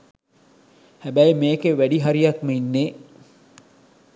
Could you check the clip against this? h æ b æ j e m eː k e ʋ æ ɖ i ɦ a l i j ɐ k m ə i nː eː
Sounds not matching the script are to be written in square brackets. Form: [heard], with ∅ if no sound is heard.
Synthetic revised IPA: h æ b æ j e m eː k e ʋ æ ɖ i ɦ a [ɾ] i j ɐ k m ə i nː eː